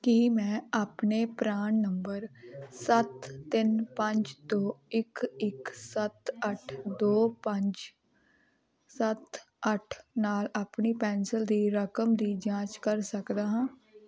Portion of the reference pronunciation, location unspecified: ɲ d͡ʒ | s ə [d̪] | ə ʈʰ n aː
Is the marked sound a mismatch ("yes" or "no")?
yes